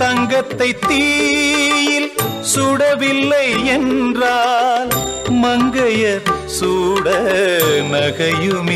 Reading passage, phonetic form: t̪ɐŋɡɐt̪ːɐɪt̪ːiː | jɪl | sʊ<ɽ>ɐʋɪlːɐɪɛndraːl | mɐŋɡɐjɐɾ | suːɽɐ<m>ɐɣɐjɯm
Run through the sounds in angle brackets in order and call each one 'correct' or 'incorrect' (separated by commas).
correct, incorrect